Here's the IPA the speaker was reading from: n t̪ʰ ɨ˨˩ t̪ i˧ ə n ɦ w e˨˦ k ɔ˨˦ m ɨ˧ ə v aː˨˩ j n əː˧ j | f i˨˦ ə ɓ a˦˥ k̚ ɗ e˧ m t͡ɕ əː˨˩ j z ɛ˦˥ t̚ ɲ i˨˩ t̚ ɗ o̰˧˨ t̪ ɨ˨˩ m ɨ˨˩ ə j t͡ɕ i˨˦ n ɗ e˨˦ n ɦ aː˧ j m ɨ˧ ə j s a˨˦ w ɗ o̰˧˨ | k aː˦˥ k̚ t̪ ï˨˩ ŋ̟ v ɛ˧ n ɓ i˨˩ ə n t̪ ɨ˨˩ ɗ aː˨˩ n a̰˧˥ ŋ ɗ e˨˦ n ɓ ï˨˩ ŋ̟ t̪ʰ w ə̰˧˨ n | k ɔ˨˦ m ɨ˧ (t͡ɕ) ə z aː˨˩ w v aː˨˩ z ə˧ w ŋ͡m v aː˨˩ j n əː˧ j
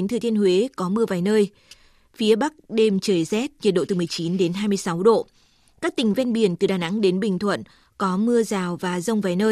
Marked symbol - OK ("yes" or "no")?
no